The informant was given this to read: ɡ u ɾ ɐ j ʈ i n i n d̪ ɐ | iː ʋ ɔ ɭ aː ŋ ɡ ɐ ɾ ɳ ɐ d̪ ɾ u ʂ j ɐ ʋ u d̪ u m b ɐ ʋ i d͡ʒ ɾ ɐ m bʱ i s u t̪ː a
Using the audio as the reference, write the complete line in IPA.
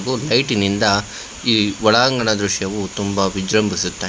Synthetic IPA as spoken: ɡ u l ɐ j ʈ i n i n d̪ ɐ | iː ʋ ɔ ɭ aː ŋ ɡ ɐ ɳ ɐ d̪ ɾ u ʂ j ɐ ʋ u t̪ u m b ɐ ʋ i d͡ʒ ɾ ɐ m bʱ i s u t̪ː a